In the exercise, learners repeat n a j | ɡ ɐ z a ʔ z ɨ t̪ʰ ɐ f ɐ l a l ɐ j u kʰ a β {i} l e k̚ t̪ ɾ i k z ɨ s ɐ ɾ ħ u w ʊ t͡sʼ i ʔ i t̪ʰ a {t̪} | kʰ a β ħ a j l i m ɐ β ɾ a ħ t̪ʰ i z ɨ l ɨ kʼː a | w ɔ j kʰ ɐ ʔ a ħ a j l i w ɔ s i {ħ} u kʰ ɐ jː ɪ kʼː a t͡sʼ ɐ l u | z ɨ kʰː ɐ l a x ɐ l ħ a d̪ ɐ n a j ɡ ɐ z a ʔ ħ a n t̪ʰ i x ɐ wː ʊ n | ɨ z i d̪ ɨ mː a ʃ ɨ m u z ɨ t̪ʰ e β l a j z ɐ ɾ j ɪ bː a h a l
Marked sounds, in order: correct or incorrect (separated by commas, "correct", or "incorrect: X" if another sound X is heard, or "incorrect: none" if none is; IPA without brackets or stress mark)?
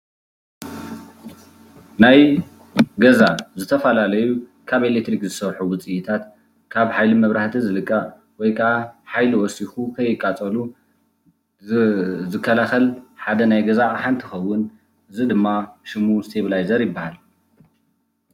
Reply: incorrect: e, correct, incorrect: x